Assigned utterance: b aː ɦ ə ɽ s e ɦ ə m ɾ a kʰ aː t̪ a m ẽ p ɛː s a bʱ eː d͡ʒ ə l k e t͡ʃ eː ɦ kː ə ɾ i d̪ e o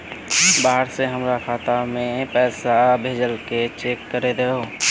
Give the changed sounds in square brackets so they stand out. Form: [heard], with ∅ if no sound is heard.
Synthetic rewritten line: b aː ɦ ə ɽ s e ɦ ə m ɾ a kʰ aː t̪ a m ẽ p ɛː s a bʱ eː d͡ʒ ə l k e t͡ʃ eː [∅] kː ə ɾ [e] d̪ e o